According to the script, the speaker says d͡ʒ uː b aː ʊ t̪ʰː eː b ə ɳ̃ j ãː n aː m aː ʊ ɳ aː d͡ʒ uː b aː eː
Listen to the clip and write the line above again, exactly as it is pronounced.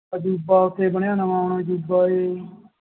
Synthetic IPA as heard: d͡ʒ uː b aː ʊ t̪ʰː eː b ə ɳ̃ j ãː n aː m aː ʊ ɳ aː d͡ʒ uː b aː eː